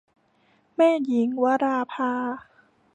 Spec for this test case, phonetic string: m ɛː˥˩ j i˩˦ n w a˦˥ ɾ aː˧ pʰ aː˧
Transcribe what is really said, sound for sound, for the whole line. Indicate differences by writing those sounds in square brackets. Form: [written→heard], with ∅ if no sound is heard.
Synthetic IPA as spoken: m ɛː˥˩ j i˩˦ [n→ŋ] w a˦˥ ɾ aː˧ pʰ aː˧